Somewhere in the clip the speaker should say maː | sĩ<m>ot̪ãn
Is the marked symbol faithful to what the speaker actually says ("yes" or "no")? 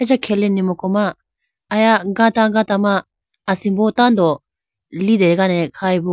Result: no